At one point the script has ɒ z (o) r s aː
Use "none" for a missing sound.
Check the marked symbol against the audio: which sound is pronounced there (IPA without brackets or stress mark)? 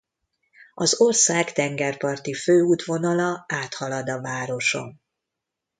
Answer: o